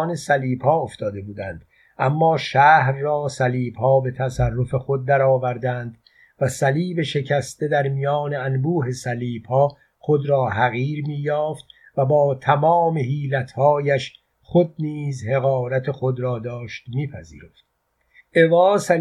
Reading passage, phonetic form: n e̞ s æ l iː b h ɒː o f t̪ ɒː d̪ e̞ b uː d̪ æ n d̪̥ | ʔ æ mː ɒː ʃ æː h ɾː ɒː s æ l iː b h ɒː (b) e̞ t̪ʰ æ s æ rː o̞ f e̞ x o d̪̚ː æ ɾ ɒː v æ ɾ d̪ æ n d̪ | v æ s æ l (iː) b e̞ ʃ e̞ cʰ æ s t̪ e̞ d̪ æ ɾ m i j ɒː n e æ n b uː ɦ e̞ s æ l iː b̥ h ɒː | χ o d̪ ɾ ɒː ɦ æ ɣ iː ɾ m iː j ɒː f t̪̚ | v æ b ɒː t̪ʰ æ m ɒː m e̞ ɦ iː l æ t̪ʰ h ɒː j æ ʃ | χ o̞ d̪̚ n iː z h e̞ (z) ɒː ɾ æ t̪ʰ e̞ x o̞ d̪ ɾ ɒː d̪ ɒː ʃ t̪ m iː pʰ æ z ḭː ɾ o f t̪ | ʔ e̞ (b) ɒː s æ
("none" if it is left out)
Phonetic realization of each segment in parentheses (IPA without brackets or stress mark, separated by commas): b, iː, ɣ, v